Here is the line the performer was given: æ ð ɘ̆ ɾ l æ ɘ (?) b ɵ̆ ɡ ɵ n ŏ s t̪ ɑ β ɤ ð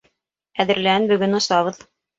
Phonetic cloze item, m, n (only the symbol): n